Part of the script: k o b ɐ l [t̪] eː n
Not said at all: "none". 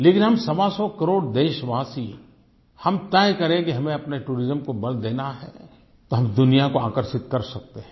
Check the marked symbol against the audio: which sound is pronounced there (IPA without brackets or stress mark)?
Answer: d̪